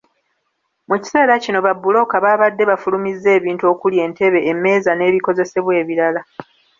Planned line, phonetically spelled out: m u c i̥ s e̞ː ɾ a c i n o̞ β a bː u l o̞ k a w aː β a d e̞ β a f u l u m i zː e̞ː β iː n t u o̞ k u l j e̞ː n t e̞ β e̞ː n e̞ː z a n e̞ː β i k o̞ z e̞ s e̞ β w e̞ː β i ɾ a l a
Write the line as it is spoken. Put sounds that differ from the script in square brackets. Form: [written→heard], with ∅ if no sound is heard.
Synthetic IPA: m u c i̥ s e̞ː ɾ a c i n o̞ β a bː u l o̞ k a [w→β] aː β a [d→dː] e̞ β a f u l u m i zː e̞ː β iː n t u o̞ k u l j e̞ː n t e̞ β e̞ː [n→m] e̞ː z a n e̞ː β i k o̞ z e̞ s e̞ β w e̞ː β i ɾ a l a